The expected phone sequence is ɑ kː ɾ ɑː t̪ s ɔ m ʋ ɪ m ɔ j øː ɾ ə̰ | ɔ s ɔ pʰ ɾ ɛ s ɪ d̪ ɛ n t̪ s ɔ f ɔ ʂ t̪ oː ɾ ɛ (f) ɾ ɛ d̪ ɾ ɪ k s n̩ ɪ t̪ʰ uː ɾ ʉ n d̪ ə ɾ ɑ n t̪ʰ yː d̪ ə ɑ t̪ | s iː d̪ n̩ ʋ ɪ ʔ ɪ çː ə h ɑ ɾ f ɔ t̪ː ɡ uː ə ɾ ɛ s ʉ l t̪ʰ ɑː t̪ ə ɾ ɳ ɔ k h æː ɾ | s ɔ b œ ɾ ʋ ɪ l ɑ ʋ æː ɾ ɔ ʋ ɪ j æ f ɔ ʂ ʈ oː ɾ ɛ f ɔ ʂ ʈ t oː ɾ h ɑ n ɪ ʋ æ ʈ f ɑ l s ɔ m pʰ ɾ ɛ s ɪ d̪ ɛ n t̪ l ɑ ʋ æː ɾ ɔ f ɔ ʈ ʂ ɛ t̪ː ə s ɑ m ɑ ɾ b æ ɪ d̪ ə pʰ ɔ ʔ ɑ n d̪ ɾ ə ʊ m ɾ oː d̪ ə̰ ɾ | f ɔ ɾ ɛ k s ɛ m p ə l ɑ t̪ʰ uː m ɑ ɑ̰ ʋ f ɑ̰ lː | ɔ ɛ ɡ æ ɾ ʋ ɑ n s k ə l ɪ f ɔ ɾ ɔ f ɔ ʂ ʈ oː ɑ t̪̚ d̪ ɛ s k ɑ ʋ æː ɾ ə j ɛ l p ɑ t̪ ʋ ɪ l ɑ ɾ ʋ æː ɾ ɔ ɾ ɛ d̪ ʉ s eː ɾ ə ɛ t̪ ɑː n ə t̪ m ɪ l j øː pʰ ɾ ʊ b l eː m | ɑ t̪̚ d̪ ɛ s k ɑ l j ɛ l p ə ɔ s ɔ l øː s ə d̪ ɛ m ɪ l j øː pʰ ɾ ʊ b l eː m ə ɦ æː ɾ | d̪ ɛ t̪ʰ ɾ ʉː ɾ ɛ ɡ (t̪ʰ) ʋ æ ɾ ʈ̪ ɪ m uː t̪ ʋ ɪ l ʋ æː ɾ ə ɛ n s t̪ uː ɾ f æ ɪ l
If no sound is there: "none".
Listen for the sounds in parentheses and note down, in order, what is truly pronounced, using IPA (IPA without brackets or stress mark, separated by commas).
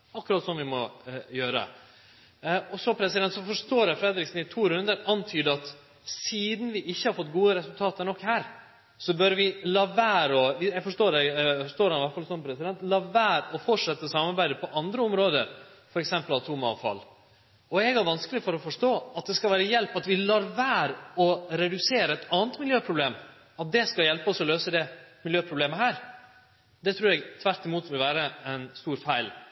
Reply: f, t̪ʰ